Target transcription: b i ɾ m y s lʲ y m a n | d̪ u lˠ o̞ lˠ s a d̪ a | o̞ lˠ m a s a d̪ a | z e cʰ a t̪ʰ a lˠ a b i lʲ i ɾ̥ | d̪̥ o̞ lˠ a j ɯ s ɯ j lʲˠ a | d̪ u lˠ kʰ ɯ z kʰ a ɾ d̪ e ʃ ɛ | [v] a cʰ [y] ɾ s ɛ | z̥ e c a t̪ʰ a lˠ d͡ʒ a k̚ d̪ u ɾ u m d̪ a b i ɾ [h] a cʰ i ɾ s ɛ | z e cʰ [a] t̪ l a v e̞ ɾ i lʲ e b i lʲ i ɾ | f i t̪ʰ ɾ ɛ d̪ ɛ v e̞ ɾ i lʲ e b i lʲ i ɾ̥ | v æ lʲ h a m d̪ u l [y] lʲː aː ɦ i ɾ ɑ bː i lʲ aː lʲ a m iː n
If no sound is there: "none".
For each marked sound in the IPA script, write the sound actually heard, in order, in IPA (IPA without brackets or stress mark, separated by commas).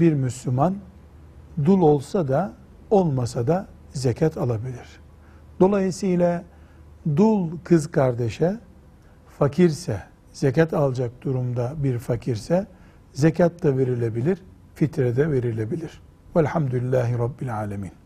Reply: f, i, f, a, i